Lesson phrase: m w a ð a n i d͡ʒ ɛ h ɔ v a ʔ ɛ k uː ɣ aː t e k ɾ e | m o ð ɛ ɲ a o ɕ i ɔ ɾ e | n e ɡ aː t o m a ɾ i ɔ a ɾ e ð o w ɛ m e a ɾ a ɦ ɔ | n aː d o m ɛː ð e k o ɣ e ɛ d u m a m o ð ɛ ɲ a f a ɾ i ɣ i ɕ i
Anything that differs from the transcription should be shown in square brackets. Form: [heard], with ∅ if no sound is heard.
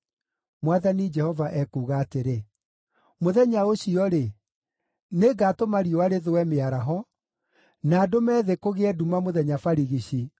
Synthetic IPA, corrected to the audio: m w a ð a n i d͡ʒ ɛ h ɔ v a ʔ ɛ k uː ɣ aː t e [∅] ɾ e | m o ð ɛ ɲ a o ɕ i ɔ ɾ e | n e ɡ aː t o m a ɾ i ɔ a ɾ e ð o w ɛ m e a ɾ a ɦ ɔ | n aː d o m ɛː ð e k o ɣ e ɛ d u m a m o ð ɛ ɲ a f a ɾ i ɣ i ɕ i